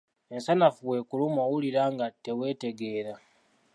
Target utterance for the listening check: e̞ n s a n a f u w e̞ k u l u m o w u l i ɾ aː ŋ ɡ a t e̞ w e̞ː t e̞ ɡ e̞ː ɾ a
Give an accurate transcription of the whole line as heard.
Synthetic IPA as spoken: e̞ n s a n a f u w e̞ k u l u m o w u l i ɾ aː ŋ ɡ a t e̞ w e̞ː t e̞ ɡ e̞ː ɾ a